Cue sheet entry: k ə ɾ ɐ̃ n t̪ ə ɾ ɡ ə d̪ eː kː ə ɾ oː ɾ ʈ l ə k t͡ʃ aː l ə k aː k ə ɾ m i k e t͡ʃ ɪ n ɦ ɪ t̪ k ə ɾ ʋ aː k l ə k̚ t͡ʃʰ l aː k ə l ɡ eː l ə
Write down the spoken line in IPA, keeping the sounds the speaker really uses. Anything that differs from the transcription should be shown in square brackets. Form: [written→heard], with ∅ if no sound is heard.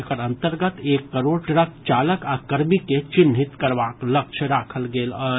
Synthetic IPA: k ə ɾ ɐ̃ n t̪ ə ɾ ɡ ə [d̪→t̪] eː kː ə ɾ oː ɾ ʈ [l→ɾ] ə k t͡ʃ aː l ə k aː k ə ɾ m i k e t͡ʃ ɪ n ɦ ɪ t̪ k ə ɾ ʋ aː k l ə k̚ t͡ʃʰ [l→ɾ] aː [k→kʰ] ə l ɡ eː l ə